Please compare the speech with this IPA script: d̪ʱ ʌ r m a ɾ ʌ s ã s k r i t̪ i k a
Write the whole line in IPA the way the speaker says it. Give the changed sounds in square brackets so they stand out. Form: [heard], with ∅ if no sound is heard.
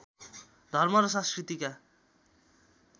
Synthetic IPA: d̪ʱ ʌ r m [ʌ] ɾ ʌ s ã s k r i t̪ i k a

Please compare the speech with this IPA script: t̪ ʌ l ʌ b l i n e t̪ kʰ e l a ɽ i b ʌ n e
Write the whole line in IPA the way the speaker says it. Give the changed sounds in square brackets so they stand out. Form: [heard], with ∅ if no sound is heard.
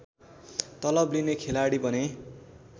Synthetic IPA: t̪ ʌ l ʌ b l i n e [∅] kʰ e l a ɽ i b ʌ n e

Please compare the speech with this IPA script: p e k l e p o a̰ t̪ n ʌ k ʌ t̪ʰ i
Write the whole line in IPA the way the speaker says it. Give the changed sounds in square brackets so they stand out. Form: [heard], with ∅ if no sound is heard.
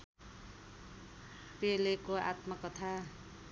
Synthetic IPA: p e [∅] l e [k] o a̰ t̪ [m] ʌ k ʌ t̪ʰ [a]

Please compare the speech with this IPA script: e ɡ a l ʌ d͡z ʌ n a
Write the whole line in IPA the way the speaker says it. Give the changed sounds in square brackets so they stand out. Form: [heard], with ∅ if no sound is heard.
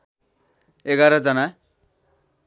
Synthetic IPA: e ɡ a [ɾ] ʌ d͡z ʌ n a

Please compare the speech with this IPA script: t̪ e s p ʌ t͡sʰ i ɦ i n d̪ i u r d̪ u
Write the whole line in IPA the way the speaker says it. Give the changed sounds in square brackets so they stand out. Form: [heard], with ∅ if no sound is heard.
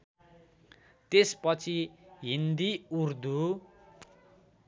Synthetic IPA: t̪ e s p ʌ t͡sʰ i ɦ i n d̪ i u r d̪ u

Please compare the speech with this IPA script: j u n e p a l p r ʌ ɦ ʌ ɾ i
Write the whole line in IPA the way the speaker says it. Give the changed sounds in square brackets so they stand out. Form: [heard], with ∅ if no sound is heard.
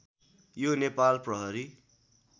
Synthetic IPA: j [o] n e p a l p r ʌ ɦ ʌ ɾ i

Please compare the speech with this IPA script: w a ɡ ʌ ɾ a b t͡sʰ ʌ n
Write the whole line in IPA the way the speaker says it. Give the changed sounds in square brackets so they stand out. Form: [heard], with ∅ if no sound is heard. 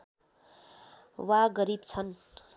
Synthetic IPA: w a ɡ ʌ ɾ [i] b t͡sʰ ʌ n

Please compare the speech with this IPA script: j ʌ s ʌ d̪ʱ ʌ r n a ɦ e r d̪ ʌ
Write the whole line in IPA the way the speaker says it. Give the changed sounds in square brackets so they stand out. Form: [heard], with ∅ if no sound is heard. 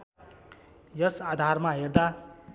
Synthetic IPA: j ʌ s [a] d̪ʱ [a] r [m] a ɦ e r d̪ [a]

